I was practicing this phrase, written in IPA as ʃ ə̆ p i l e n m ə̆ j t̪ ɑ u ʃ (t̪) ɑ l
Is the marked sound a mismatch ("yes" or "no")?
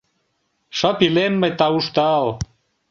no